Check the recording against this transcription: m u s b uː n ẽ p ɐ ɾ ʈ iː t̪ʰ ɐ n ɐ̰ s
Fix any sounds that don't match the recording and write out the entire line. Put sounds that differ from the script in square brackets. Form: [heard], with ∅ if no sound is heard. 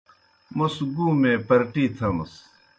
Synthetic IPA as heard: m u s [ɡ] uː [m] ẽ p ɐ ɾ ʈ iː t̪ʰ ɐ [m] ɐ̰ s